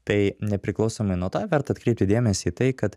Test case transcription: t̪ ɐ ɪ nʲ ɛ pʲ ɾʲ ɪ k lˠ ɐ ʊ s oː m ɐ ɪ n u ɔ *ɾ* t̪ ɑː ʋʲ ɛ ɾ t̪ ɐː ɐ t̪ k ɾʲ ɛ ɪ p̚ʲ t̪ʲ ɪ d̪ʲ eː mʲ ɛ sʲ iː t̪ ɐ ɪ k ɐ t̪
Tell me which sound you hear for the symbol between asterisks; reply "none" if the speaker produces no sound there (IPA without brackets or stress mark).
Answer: none